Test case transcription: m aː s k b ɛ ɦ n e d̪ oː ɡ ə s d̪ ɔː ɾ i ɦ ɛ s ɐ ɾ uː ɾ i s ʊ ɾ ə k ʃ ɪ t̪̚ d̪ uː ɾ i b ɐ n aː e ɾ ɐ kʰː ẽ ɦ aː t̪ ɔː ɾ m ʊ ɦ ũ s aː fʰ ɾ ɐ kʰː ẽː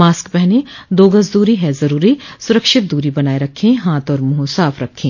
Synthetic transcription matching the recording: m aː s k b ɛ ɦ n e d̪ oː ɡ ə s d̪ uː ɾ i ɦ ɛ z ɐ ɾ uː ɾ i s ʊ ɾ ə k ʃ ɪ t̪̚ d̪ uː ɾ i b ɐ n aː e ɾ ɐ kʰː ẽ ɦ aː t̪ ɔː ɾ m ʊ ɦ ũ s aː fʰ ɾ ɐ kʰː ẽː